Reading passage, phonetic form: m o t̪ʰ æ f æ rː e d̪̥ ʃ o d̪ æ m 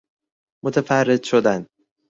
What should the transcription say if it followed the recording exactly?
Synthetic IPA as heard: m o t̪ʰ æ f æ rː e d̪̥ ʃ o d̪ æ n